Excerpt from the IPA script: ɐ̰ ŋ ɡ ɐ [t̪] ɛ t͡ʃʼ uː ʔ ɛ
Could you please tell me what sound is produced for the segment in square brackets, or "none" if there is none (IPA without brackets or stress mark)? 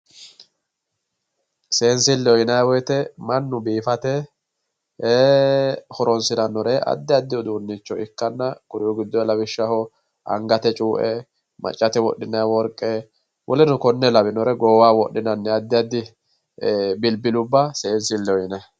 t̪